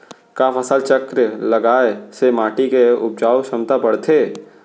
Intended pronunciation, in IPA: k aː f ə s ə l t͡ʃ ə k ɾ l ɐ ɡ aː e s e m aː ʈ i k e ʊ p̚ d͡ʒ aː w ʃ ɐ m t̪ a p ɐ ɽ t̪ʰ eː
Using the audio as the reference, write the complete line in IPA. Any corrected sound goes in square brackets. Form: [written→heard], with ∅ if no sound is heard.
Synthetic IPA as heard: k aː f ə s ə l t͡ʃ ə k ɾ l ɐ ɡ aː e s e m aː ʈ i k e ʊ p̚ d͡ʒ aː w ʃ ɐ m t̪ a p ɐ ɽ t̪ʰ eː